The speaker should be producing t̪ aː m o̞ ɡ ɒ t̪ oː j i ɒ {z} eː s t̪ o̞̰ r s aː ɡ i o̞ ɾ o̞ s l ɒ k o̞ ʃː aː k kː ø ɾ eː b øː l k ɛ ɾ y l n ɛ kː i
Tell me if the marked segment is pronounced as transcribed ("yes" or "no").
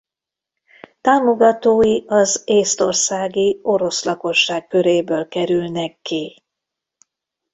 yes